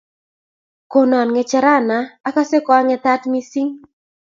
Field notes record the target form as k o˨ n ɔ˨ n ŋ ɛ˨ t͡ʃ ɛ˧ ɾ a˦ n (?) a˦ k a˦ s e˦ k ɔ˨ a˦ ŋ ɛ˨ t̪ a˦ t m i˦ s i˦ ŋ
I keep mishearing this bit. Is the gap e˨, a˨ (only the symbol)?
a˨